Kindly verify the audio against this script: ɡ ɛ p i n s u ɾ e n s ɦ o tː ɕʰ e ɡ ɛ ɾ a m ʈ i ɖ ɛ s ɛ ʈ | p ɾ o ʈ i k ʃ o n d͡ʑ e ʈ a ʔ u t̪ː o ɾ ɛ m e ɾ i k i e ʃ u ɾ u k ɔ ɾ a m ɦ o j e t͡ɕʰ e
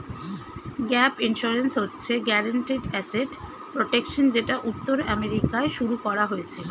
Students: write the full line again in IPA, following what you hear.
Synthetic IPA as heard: ɡ ɛ p i n ʃ u ɾ e n s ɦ o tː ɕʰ e ɡ ɛ ɾ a ɳ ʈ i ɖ ɛ s e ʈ | p ɾ o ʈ e k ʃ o n d͡ʑ e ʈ a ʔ u t̪ː o ɾ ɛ m e ɾ i k a e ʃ u ɾ u k ɔ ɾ a ɦ o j e t͡ɕʰ e

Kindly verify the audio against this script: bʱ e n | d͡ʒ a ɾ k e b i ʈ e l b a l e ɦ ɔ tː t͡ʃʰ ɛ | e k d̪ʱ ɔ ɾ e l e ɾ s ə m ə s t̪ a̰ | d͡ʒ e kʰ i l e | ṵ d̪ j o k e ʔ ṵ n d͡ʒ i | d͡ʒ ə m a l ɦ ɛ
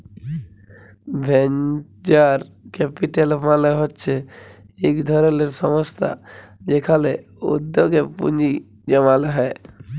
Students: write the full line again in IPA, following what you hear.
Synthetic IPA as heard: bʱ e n | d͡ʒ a ɾ k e p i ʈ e l m a l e ɦ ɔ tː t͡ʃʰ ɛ | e k d̪ʱ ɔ ɾ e l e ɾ s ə m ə s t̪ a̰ | d͡ʒ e kʰ a l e | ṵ d̪ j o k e p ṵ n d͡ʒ i | d͡ʒ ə m a l ɦ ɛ

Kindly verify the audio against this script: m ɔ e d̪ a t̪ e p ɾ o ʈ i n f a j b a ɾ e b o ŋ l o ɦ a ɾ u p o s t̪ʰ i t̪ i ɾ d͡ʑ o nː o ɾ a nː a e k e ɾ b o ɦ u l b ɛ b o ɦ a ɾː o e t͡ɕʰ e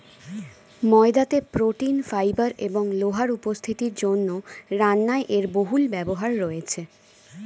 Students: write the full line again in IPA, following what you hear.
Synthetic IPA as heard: m ɔ e d̪ a t̪ e p ɾ o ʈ i n f a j b a ɾ e b o ŋ l o ɦ a ɾ u p o s t̪ʰ i t̪ i ɾ d͡ʑ o nː o ɾ a nː a e ʔ e ɾ b o ɦ u l b ɛ b o ɦ a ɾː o e t͡ɕʰ e

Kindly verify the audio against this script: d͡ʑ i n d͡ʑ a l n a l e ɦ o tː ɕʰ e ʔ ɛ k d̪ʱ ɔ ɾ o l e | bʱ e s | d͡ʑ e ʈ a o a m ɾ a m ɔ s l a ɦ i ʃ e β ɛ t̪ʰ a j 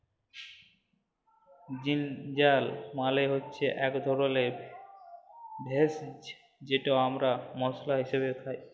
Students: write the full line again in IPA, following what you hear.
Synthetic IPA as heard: d͡ʑ i n d͡ʑ a l m a l e ɦ o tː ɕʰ e ʔ ɛ k d̪ʱ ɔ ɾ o l e | bʱ e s | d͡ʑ e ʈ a o a m ɾ a m ɔ s l a ɦ i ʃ e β e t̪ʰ a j

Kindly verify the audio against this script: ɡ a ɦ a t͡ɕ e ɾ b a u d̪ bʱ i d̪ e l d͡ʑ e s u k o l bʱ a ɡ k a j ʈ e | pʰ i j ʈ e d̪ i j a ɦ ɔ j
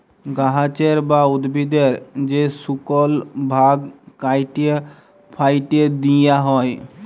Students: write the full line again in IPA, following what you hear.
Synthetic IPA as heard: ɡ a ɦ a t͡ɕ e ɾ b a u d̪ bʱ i d̪ e ɾ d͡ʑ e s u k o l bʱ a ɡ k a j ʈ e | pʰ a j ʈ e d̪ i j a ɦ ɔ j

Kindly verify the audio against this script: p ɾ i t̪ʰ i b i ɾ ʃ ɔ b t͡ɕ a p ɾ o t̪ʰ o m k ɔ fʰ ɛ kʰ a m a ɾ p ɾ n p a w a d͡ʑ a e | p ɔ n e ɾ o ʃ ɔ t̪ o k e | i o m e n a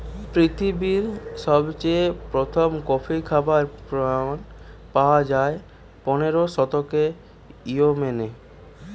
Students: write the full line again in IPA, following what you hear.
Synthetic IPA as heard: p ɾ i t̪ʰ i b i ɾ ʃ ɔ b t͡ɕ e p ɾ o t̪ʰ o m k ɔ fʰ i kʰ a b a ɾ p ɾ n p a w a d͡ʑ a e | p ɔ n e ɾ o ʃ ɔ t̪ o k e | i o m e n e

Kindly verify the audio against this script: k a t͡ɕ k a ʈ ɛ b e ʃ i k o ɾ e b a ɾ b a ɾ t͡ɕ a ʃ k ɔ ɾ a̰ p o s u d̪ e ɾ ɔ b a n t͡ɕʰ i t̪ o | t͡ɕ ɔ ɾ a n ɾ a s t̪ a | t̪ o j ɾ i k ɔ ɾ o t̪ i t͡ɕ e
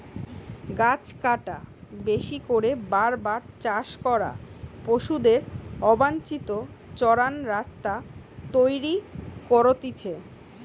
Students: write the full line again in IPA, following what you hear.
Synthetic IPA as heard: ɡ a t͡ɕ k a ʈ a b e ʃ i k o ɾ e b a ɾ b a ɾ t͡ɕ a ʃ k ɔ ɾ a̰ p o ʃ u d̪ e ɾ ɔ b a n t͡ɕ i t̪ o | t͡ɕ ɔ ɾ a n ɾ a s t̪ a | t̪ o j ɾ i k ɔ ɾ o t̪ i t͡ɕʰ e

